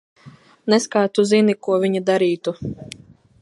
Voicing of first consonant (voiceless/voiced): voiced